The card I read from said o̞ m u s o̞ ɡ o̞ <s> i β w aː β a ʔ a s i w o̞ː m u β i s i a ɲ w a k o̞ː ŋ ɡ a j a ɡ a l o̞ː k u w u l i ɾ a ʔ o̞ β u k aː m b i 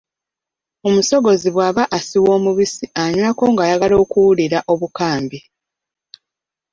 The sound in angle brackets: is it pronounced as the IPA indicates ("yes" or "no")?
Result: no